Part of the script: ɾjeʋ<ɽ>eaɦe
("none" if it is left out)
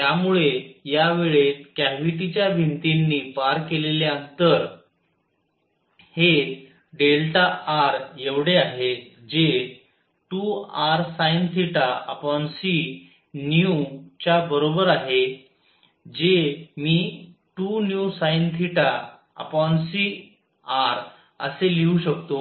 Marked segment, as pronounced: ɽ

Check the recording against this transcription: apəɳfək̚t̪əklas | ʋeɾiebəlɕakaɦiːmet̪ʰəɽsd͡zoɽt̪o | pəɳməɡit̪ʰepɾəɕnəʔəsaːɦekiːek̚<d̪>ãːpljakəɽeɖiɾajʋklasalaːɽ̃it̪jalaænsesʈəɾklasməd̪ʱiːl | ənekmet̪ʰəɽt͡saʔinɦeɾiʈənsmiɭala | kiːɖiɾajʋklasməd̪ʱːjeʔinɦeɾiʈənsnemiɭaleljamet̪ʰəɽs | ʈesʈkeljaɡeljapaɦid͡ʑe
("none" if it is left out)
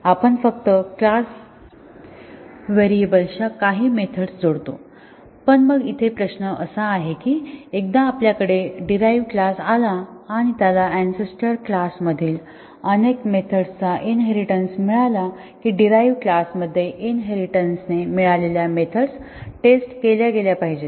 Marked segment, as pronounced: d̪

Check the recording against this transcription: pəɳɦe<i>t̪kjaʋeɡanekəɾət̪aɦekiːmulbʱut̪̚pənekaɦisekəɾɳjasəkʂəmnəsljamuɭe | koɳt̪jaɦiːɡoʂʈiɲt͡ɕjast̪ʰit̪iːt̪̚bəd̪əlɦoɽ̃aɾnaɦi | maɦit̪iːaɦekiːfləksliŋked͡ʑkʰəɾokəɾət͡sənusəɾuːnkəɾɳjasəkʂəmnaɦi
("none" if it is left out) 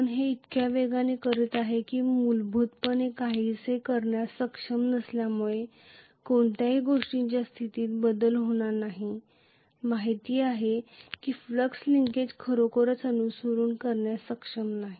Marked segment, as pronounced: i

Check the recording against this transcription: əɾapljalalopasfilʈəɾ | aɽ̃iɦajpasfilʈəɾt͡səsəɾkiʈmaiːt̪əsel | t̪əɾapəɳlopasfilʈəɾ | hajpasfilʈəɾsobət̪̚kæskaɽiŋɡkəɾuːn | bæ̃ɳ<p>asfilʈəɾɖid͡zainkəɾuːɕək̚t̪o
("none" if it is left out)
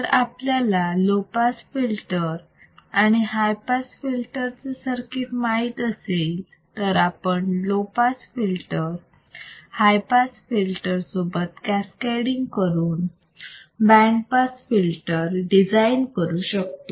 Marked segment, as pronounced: p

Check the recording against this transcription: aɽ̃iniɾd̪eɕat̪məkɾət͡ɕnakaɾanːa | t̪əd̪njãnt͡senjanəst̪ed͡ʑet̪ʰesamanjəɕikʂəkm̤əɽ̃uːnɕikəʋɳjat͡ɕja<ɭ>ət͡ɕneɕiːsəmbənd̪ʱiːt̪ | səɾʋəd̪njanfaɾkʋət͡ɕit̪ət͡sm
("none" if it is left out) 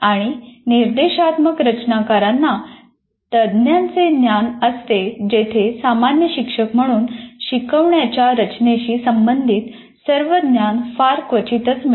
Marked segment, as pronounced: ɾ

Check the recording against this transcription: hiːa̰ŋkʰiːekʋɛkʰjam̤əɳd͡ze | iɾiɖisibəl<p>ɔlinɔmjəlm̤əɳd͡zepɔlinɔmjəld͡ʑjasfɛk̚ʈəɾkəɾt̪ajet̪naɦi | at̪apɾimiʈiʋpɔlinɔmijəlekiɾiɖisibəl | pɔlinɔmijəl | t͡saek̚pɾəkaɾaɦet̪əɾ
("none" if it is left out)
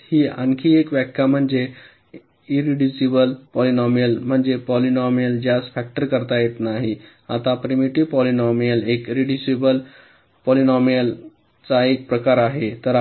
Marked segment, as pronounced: p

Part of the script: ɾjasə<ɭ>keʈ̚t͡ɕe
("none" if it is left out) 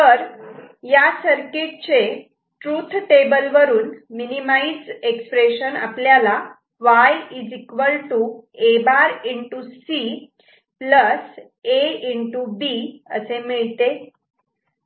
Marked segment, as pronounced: ɾ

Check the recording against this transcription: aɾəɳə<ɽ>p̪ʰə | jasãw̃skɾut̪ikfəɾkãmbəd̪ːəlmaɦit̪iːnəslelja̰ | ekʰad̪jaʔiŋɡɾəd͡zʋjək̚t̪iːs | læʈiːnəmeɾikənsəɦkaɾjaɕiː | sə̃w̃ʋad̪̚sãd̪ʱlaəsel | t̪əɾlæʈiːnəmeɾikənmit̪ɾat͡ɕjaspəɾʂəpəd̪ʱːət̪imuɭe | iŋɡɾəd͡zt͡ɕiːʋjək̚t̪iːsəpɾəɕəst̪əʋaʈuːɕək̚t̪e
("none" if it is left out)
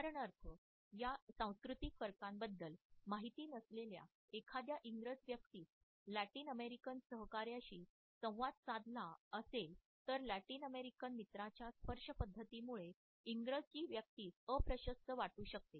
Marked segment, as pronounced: ɾ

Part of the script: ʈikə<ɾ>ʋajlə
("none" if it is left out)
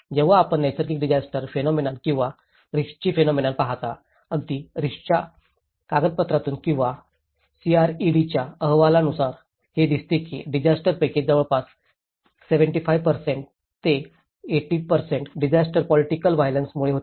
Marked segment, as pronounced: l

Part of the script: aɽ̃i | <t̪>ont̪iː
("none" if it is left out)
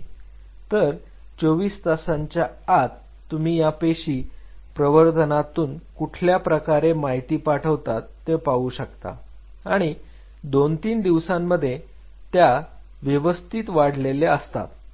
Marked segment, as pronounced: d̪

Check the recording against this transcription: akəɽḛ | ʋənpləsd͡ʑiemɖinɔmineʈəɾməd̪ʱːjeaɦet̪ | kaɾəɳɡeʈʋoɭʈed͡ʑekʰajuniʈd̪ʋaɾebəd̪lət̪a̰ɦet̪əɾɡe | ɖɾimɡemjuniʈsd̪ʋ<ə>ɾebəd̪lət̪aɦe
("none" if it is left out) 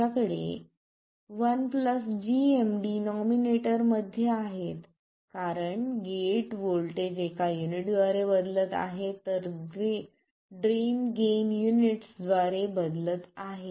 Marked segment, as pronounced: a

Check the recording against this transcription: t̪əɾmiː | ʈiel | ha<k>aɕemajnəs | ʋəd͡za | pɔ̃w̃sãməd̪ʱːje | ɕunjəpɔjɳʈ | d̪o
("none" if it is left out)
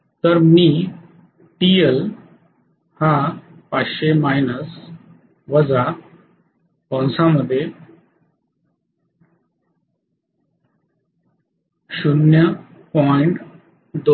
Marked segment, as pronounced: p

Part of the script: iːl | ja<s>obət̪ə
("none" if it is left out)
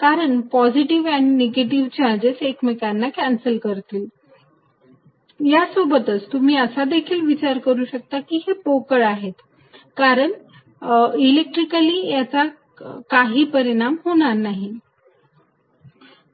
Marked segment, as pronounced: s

